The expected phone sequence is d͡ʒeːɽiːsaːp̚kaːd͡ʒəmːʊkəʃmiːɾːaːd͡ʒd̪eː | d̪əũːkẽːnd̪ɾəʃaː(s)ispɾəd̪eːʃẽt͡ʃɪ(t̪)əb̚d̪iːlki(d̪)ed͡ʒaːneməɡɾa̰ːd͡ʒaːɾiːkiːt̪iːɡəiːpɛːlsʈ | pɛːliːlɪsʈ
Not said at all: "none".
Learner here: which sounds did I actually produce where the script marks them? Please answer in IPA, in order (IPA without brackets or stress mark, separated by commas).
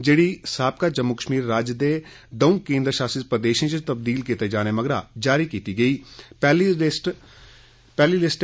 s, t̪, t̪